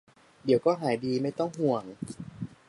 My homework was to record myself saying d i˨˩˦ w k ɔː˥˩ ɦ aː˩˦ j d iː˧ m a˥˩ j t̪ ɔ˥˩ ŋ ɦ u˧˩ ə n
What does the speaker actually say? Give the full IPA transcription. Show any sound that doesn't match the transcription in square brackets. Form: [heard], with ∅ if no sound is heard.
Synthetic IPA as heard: d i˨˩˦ w k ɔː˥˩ ɦ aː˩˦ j d iː˧ m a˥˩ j t̪ ɔ˥˩ ŋ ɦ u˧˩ ə [ŋ]